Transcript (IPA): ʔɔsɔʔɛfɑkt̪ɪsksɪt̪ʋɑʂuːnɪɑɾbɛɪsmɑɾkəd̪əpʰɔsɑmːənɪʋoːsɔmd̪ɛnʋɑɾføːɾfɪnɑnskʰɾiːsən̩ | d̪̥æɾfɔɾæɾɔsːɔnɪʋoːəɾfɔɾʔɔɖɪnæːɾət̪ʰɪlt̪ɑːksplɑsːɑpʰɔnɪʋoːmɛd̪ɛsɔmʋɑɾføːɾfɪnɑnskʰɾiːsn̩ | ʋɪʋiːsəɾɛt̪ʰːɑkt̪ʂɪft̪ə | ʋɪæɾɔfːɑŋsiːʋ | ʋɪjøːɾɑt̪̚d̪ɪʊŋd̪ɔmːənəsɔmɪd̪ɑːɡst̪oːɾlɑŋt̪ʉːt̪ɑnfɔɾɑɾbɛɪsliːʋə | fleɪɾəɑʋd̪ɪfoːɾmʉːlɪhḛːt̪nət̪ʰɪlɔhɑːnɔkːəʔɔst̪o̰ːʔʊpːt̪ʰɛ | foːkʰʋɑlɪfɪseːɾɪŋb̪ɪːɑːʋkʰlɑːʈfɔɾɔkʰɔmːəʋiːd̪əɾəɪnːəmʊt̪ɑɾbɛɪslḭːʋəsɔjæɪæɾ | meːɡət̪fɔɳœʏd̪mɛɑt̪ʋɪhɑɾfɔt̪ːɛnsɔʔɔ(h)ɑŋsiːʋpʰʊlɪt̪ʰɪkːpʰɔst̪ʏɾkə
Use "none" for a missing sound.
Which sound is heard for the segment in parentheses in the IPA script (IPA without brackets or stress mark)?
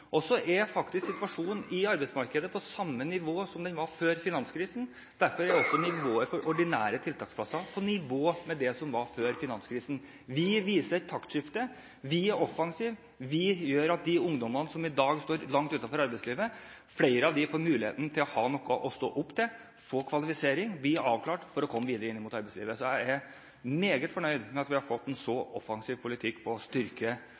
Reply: f